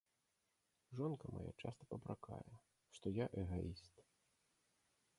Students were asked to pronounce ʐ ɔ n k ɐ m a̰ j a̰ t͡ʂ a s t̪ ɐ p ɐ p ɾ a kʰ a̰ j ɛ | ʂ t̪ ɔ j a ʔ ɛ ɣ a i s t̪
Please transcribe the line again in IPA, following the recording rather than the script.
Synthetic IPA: ʐ ɔ n k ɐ m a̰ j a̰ t͡ʂ a s t̪ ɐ p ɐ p ɾ a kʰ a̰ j ɛ | ʂ t̪ ɔ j a ʔ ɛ ɣ a i s t̪

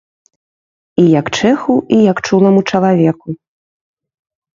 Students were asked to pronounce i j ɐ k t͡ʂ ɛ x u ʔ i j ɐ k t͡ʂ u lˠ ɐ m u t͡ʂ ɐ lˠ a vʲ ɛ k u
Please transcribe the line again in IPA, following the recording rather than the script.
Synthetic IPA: i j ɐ k t͡ʂ ɛ x u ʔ i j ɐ k t͡ʂ u lˠ ɐ m u t͡ʂ ɐ lˠ a vʲ ɛ k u

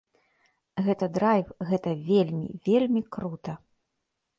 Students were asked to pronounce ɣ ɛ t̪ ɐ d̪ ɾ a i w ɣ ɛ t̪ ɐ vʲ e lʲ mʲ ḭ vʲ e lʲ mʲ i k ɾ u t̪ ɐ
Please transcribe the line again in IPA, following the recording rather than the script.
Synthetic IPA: ɣ ɛ t̪ ɐ d̪ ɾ a j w ɣ ɛ t̪ ɐ vʲ e lʲ mʲ ḭ vʲ e lʲ mʲ i k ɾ u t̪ ɐ

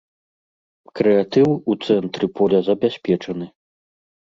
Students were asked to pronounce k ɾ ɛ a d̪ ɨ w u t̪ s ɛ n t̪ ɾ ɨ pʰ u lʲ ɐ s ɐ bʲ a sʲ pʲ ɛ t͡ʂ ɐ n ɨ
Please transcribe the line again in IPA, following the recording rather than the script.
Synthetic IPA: k ɾ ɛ a t̪ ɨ w u t̪ s ɛ n t̪ ɾ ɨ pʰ ɔ lʲ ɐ z ɐ bʲ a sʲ pʲ ɛ t͡ʂ ɐ n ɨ

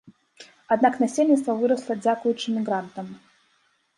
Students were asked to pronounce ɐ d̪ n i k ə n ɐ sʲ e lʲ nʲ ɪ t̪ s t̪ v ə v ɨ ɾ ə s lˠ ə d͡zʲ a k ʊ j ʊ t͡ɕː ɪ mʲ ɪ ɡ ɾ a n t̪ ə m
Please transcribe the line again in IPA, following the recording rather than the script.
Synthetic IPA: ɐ d̪ n a k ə n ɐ sʲ e lʲ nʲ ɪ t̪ s t̪ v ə v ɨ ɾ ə s lˠ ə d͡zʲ a k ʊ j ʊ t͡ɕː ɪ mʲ ɪ ɡ ɾ a n t̪ ə m

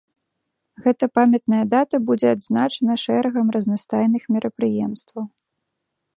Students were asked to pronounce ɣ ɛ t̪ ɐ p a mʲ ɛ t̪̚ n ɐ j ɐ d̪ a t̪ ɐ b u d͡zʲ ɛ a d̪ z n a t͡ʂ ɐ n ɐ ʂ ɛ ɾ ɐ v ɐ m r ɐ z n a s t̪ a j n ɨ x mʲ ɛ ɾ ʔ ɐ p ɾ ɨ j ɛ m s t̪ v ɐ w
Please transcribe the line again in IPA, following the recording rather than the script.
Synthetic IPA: ɣ ɛ t̪ ɐ p a mʲ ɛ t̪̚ n ɐ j ɐ d̪ a t̪ ɐ b u d͡zʲ ɛ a d̪ z n a t͡ʂ ɐ n ɐ ʂ ɛ ɾ ɐ ɣ ɐ m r ɐ z n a s t̪ a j n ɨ x mʲ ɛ ɾ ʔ ɐ p ɾ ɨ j ɛ m s t̪ v ɐ w

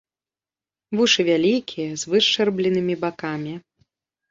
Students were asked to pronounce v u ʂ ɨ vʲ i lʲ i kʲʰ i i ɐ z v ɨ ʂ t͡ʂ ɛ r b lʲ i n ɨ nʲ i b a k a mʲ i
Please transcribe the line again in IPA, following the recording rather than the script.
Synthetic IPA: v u ʂ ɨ vʲ a lʲ i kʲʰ i j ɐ z v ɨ ʂ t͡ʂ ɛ r b lʲ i n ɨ mʲ i b a k a mʲ i

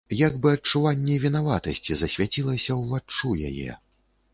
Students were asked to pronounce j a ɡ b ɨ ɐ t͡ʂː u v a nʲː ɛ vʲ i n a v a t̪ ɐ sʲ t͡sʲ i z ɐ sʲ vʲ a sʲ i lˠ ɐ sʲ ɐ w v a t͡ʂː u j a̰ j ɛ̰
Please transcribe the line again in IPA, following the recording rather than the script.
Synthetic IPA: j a ɡ b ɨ ɐ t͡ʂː u v a nʲː ɛ vʲ i n a v a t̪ ɐ sʲ t͡sʲ i z ɐ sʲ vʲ a t͡sʲ i lˠ ɐ sʲ ɐ w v a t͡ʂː u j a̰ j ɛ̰

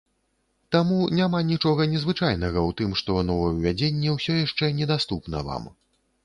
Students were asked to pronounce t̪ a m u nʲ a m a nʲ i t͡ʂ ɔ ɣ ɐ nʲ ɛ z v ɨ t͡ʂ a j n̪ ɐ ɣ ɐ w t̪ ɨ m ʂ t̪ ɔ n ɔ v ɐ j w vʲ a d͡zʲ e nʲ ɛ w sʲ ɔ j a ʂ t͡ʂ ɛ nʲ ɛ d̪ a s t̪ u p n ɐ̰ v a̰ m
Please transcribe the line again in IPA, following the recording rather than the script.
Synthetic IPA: t̪ a m u nʲ a m a nʲ i t͡ʂ ɔ ɣ ɐ nʲ ɛ z v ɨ t͡ʂ a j n̪ ɐ ɣ ɐ w t̪ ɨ m ʂ t̪ ɔ n ɔ v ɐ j w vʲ a d͡zʲ e nʲː ɛ w sʲ ɔ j a ʂ t͡ʂ ɛ nʲ ɛ d̪ a s t̪ u p n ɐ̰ v a̰ m

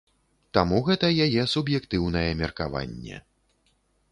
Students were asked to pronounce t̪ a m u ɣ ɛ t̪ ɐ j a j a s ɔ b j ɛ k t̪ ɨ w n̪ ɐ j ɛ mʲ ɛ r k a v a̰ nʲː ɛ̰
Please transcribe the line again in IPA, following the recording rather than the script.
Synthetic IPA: t̪ a m u ɣ ɛ t̪ ɐ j a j ɛ s u b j ɛ k t̪ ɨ w n̪ ɐ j ɛ mʲ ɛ r k a v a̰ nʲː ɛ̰

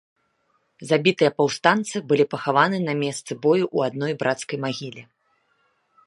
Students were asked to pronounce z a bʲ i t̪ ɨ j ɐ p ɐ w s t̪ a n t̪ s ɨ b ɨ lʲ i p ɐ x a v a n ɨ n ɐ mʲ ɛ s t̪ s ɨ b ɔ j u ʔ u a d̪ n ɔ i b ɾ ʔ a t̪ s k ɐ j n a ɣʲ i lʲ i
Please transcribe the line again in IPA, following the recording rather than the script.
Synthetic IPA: z a bʲ i t̪ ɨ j ɐ p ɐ w s t̪ a n t̪ s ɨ b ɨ lʲ i p ɐ x a v a n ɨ n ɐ mʲ ɛ s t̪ s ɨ b ɔ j u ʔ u a d̪ n ɔ j b ɾ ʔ a t̪ s k ɐ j m a ɣʲ i lʲ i

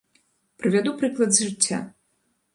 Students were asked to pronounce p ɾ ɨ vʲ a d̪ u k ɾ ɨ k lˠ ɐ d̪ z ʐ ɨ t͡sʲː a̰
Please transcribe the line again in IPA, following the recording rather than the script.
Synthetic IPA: p ɾ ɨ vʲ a d̪ u p ɾ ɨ k lˠ ɐ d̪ z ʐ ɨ t͡sʲː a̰

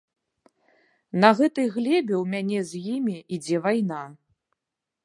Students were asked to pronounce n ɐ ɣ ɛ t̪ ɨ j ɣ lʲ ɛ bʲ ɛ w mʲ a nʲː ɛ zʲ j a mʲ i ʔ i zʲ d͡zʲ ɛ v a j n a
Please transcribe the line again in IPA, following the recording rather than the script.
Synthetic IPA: n ɐ ɣ ɛ t̪ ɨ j ɣ lʲ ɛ bʲ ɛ w mʲ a nʲ ɛ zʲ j i mʲ i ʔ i d͡zʲ ɛ v a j n a

